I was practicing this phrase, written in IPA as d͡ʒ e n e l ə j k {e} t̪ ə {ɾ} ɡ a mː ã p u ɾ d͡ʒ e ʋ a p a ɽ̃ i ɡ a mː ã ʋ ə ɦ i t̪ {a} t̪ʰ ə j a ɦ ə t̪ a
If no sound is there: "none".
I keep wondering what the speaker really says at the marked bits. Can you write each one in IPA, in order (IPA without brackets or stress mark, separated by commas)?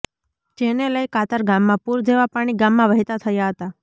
a, ɾ, a